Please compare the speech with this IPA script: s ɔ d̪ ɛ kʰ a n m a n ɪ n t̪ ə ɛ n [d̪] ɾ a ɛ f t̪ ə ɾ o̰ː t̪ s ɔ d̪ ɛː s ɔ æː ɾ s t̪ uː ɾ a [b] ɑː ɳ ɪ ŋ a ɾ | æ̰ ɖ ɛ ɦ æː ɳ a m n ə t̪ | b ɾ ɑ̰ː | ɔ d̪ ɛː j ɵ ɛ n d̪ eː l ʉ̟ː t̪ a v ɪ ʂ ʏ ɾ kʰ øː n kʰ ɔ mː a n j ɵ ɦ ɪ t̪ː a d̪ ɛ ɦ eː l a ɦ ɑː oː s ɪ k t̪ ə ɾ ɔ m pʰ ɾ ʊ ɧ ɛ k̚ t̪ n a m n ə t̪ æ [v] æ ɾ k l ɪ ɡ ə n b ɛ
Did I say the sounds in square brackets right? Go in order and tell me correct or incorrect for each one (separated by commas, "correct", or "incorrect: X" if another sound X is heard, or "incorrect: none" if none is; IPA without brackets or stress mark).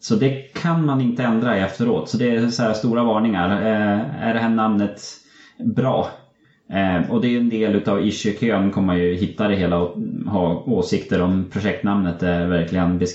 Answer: correct, incorrect: v, correct